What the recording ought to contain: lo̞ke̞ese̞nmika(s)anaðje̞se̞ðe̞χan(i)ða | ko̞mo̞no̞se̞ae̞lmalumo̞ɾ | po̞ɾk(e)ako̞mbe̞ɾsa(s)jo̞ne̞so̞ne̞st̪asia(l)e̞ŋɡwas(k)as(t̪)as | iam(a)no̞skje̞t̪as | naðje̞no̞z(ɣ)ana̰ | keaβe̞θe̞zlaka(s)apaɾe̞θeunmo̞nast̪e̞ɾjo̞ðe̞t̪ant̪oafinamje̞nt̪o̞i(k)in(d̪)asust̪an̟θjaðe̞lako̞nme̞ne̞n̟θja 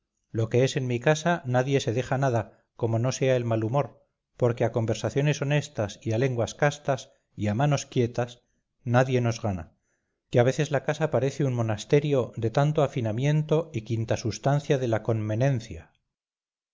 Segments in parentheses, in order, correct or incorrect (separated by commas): correct, incorrect, correct, incorrect, correct, correct, correct, correct, correct, correct, correct, incorrect